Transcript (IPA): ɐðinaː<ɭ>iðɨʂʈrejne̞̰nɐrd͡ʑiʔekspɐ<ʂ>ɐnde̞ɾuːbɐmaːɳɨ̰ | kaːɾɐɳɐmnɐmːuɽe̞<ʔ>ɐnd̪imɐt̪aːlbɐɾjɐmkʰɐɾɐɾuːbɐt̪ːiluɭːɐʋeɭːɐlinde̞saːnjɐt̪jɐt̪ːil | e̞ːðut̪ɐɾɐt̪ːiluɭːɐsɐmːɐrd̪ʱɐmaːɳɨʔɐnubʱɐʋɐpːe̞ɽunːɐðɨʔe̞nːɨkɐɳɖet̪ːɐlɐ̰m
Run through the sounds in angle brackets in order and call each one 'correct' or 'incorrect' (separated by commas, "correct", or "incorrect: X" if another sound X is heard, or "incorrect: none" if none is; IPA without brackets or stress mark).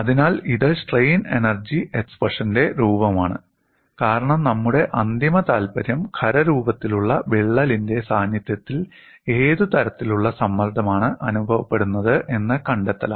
incorrect: l, correct, correct